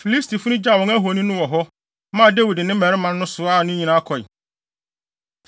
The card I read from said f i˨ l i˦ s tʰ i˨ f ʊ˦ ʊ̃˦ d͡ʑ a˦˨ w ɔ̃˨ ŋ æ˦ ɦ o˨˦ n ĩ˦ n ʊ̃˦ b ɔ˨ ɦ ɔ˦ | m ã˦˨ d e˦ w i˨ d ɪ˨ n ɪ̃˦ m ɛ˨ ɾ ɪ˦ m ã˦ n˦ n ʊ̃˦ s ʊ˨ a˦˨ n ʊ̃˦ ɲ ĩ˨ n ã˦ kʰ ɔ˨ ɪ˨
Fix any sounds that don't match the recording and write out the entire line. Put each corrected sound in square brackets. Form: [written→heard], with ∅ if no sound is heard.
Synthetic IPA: f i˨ l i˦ s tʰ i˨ f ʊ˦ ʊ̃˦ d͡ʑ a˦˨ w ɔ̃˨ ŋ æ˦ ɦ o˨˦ n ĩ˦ n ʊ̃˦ [b→w] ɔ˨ ɦ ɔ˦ | m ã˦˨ d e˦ w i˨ d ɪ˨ n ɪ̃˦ m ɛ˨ ɾ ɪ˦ m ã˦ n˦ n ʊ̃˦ s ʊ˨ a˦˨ n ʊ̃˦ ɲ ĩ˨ n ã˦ kʰ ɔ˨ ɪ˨

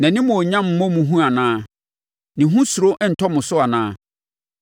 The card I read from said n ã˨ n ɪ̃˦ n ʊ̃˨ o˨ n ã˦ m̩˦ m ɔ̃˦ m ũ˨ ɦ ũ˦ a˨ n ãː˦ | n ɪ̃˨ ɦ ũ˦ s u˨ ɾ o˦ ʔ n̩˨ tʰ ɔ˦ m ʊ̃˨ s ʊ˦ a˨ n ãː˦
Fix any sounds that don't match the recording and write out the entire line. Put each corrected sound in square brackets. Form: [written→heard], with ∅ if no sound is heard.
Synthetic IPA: n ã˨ n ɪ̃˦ [n→m] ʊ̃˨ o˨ [n→ɲ] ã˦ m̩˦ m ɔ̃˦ m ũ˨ ɦ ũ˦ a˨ n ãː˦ | n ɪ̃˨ ɦ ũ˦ s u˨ ɾ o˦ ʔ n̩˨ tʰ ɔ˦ m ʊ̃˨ s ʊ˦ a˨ n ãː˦

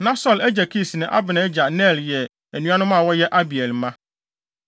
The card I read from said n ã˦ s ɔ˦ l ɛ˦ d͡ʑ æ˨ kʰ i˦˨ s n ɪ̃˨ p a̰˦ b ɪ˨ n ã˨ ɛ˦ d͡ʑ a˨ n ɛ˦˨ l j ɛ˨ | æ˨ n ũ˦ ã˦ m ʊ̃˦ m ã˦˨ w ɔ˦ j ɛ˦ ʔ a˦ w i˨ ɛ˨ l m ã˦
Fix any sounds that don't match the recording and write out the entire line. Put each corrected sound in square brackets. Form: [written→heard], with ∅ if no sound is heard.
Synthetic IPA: n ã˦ s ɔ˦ l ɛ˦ d͡ʑ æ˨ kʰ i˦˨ s n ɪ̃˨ [p→ʔ] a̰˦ b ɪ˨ n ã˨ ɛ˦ d͡ʑ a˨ n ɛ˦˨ l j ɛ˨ | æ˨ n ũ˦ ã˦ [m→n] ʊ̃˦ m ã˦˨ w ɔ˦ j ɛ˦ ʔ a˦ [w→b] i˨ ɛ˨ l m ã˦

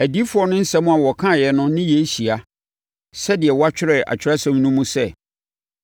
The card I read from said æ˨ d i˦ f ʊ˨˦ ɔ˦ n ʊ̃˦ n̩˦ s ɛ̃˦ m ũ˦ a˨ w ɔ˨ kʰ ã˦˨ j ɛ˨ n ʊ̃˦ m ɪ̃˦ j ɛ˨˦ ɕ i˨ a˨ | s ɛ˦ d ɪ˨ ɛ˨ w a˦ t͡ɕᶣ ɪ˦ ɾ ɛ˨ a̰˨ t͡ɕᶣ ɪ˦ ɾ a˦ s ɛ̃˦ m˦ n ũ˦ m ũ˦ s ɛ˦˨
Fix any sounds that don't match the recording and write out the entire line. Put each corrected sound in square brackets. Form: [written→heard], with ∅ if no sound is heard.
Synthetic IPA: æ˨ d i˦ f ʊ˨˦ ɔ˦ n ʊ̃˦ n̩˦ s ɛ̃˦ m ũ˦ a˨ w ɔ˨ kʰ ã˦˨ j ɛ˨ n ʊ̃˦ [m→n] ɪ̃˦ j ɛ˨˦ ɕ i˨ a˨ | s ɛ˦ d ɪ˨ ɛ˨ w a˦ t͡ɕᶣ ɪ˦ ɾ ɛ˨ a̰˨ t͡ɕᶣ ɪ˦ ɾ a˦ s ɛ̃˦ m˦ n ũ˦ m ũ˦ s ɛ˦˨

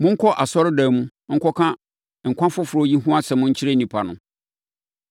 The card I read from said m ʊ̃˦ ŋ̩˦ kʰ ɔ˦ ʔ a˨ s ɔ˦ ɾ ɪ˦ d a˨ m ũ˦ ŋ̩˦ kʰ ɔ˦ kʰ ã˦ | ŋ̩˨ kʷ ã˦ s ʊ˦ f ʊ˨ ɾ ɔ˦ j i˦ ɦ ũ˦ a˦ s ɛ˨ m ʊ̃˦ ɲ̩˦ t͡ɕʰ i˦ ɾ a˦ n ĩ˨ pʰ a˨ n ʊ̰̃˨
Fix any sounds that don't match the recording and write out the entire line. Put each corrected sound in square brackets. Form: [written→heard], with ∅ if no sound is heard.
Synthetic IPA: m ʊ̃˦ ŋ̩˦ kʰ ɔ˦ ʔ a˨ s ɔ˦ ɾ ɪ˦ d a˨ m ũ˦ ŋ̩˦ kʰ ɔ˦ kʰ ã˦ | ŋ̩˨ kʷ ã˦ [s→f] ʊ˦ f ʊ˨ ɾ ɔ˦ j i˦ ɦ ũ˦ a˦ s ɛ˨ m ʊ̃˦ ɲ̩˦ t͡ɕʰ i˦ ɾ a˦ n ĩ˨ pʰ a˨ n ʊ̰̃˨

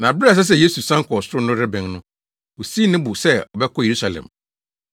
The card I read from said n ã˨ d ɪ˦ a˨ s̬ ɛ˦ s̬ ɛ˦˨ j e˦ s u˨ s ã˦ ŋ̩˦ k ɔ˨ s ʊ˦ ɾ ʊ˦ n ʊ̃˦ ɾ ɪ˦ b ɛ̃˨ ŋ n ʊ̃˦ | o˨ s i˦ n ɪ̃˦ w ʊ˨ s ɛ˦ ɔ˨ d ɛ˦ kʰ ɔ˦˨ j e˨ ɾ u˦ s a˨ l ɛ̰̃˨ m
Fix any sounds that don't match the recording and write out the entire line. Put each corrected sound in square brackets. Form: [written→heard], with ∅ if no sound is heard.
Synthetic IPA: n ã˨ [d→b] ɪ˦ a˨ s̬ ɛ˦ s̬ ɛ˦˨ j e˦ s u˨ s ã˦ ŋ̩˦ k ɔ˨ s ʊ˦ ɾ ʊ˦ n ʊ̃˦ ɾ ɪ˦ b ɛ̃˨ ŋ n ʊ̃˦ | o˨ s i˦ n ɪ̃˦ [w→b] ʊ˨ s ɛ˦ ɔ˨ [d→b] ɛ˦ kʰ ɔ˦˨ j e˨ ɾ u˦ s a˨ l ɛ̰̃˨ m

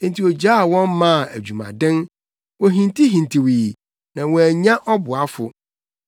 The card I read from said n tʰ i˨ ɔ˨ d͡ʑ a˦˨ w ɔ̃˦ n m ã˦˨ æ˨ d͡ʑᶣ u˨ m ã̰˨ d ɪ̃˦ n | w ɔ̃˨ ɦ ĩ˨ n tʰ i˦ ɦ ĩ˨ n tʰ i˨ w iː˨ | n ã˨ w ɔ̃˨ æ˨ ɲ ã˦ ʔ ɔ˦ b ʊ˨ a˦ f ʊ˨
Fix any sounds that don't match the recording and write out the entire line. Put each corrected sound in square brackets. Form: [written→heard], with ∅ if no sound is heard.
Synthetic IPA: n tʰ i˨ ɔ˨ d͡ʑ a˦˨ w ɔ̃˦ n m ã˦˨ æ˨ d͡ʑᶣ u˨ m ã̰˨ d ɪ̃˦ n | w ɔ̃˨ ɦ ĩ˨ n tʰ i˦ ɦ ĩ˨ n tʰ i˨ w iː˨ | n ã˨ w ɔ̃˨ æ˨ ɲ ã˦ ʔ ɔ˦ b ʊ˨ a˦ f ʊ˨

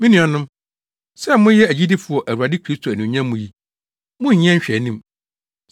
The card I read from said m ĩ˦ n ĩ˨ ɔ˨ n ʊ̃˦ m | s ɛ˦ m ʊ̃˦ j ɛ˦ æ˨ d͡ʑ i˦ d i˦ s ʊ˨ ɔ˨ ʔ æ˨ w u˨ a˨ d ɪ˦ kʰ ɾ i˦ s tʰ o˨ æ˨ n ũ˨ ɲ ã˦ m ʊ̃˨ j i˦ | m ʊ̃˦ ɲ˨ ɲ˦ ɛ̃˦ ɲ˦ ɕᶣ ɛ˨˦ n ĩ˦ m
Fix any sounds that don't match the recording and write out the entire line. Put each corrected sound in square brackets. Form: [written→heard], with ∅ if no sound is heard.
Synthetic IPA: m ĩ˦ n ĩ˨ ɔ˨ n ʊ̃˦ m | s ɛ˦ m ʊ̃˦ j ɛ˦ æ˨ d͡ʑ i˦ d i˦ [s→f] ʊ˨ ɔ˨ ʔ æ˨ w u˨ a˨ d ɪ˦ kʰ ɾ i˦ s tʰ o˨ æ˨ n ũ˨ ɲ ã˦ m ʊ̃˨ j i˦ | m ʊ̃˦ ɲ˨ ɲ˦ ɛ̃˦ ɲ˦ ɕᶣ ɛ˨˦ n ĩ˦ m

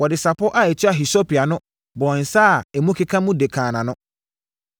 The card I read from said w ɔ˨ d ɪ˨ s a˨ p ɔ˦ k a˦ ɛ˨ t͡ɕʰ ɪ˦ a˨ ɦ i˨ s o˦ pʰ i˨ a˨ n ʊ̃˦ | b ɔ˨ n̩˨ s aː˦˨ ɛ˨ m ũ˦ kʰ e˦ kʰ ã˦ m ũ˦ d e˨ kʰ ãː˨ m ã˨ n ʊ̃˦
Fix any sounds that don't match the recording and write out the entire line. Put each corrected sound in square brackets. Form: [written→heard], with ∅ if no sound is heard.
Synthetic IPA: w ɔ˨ d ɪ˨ s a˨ p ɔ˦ [k→ʔ] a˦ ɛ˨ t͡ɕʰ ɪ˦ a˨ ɦ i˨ s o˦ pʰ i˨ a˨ n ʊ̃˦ | b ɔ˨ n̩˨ s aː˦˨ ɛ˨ m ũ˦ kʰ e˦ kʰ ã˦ m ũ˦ d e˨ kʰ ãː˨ [m→n] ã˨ n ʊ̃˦

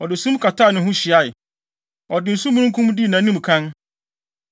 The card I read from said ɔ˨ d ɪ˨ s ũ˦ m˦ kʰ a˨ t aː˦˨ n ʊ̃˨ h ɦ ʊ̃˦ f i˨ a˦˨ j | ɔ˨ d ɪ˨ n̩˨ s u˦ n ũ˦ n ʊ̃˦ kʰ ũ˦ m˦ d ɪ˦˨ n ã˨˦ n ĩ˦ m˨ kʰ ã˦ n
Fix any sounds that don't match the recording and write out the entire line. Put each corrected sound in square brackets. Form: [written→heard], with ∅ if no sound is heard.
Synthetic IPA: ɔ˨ d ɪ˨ s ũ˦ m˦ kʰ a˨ t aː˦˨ n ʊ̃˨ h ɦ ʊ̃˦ [f→ɕ] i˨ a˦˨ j | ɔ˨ d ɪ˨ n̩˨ s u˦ [n→m] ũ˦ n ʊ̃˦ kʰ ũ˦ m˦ d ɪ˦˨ n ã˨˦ n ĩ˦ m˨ kʰ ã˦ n

